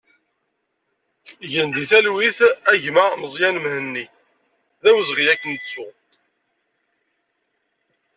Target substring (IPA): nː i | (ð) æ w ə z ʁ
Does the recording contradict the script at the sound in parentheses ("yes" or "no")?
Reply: no